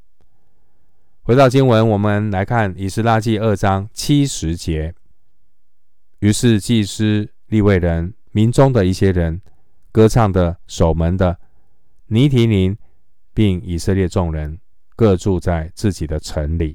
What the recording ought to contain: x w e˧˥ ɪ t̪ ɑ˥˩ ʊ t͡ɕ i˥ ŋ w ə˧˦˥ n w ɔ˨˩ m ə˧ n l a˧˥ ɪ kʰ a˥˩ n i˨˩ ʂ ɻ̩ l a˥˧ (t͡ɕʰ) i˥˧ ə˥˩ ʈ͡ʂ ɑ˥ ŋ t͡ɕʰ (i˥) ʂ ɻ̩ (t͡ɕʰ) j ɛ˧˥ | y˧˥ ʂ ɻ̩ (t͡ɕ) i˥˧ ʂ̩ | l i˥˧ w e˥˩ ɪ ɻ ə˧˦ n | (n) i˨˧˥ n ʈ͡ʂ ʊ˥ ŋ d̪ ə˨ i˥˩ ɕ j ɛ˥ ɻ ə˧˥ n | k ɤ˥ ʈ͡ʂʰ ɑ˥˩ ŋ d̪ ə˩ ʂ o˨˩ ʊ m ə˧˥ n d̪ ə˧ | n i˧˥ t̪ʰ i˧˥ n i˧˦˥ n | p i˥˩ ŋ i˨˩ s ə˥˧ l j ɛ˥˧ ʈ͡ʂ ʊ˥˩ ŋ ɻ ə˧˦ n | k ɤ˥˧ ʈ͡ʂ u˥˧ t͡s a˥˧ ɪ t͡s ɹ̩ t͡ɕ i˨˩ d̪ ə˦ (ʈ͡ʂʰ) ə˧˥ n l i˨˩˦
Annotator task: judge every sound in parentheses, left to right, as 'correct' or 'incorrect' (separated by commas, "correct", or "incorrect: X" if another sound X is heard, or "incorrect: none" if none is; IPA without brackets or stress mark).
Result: incorrect: t͡ɕ, correct, incorrect: t͡ɕ, correct, incorrect: m, correct